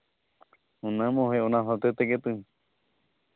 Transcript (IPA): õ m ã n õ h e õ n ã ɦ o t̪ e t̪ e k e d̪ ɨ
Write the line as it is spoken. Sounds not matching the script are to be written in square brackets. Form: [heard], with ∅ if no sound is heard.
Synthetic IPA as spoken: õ [n] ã [m] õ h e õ n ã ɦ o t̪ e t̪ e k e [t̪] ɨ